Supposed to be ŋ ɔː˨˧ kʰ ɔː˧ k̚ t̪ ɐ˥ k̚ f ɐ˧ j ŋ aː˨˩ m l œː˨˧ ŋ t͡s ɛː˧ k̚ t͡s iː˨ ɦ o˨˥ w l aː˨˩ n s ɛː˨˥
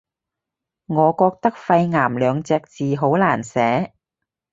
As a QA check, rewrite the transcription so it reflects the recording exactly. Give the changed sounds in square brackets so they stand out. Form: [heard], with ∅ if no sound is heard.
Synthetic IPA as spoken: ŋ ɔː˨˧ [k] ɔː˧ k̚ t̪ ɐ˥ k̚ f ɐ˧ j ŋ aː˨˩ m l œː˨˧ ŋ t͡s ɛː˧ k̚ t͡s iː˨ ɦ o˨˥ w l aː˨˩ n s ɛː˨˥